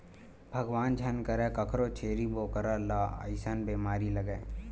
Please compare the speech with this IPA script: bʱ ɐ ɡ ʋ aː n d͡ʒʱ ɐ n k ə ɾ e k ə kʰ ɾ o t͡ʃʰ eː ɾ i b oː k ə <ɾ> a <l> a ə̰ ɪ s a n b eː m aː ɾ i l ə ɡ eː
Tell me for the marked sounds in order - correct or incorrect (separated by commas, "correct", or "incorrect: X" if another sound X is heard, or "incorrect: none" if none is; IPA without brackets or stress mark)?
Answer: correct, correct